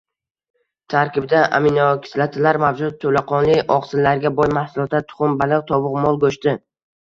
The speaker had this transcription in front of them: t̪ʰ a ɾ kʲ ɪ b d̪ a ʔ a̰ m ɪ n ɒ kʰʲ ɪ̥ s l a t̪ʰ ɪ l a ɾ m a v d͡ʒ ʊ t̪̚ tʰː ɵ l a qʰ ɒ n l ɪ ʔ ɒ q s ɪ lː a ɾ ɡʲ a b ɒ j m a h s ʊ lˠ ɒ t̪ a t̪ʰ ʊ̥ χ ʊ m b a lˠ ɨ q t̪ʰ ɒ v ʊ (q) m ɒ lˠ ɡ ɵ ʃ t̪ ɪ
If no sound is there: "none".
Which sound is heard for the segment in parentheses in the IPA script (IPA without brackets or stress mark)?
q